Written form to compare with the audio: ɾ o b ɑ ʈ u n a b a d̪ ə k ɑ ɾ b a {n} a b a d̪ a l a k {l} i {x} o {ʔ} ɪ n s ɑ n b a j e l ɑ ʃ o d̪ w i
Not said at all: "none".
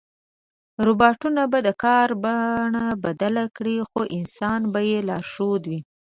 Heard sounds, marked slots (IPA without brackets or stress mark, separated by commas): ɳ, ɽ, x, ʔ